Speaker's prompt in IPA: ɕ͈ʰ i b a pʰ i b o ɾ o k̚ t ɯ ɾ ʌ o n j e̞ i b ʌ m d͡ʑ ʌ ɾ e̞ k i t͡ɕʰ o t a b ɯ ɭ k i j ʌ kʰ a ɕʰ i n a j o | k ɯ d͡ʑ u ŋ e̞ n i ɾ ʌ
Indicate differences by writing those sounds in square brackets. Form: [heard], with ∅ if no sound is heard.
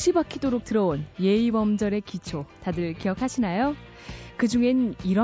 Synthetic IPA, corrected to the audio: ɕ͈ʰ i b a [kʰ] i [d] o ɾ o k̚ t ɯ ɾ ʌ o n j e̞ i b ʌ m d͡ʑ ʌ ɾ e̞ k i t͡ɕʰ o t a [d] ɯ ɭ k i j ʌ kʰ a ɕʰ i n a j o | k ɯ d͡ʑ u ŋ e̞ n i ɾ ʌ